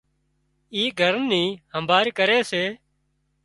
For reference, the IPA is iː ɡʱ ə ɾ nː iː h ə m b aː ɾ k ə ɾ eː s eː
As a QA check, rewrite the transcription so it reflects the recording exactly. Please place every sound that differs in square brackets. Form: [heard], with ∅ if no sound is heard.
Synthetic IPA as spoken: iː ɡʱ ə ɾ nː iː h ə m b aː ɾ k ə ɾ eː s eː